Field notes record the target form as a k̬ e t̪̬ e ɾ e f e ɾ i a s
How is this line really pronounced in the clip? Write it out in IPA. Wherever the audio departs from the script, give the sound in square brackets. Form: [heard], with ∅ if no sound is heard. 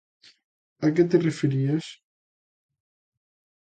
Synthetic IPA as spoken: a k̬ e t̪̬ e [r] e f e ɾ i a s